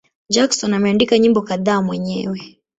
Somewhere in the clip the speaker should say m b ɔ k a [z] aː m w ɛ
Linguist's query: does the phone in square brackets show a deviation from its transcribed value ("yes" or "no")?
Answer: yes